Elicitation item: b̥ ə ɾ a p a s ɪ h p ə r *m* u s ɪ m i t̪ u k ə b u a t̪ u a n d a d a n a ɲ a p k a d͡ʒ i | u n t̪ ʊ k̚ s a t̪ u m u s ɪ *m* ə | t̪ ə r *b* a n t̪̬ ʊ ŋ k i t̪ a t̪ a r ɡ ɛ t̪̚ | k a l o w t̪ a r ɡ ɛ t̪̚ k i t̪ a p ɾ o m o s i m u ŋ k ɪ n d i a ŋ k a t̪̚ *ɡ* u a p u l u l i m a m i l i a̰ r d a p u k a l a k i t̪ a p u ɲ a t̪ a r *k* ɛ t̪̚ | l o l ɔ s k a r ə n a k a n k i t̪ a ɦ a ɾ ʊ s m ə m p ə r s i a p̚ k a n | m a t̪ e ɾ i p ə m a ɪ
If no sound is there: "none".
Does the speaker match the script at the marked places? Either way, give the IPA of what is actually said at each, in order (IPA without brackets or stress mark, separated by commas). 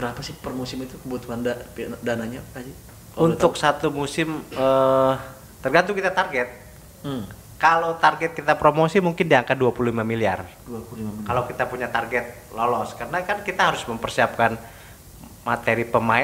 m, m, ɡ, d, ɡ